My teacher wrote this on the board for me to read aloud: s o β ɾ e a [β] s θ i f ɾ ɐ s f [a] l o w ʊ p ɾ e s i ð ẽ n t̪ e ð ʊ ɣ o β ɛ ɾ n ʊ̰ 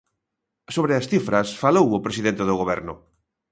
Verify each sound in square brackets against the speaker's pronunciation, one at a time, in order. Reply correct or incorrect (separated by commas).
incorrect, correct